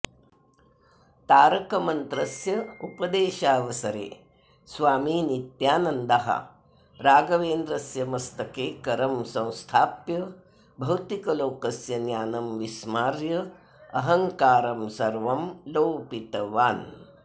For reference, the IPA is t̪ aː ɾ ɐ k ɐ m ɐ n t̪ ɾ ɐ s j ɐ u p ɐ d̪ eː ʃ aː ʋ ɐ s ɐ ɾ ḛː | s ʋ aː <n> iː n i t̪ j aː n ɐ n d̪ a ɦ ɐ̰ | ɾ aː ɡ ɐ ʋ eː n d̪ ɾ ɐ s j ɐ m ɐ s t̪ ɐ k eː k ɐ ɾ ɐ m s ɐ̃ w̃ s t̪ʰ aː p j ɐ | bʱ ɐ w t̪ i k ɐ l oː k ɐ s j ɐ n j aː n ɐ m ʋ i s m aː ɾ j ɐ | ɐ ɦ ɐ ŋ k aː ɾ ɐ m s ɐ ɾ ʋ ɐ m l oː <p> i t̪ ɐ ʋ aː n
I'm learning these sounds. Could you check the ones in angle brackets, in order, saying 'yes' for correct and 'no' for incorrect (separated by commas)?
no, yes